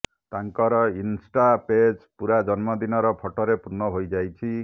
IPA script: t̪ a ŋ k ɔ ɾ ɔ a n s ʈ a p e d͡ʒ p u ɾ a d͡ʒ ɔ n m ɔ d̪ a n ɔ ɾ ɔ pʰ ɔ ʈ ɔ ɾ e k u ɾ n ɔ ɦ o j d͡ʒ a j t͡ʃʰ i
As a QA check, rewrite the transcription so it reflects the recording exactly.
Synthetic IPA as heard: t̪ a ŋ k ɔ ɾ ɔ i n s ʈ a p e d͡ʒ p u ɾ a d͡ʒ ɔ n m ɔ d̪ i n ɔ ɾ ɔ pʰ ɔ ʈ ɔ ɾ e p u ɾ n ɔ ɦ o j d͡ʒ a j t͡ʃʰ i